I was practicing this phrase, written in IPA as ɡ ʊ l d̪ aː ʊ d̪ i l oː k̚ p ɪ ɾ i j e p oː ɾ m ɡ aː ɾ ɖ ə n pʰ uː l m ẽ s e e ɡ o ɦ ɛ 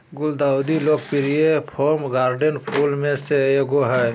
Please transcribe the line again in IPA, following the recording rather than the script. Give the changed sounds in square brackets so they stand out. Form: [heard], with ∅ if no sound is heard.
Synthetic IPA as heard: ɡ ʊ l d̪ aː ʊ d̪ i l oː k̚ p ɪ ɾ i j e [pʰ] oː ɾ m ɡ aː ɾ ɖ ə n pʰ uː l m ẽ s e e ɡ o ɦ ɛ